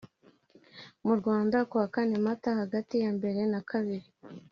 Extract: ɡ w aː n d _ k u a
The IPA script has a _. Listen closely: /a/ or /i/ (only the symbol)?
a